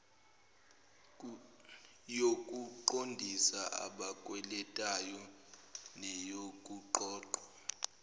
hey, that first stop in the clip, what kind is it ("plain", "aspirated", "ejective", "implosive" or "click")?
ejective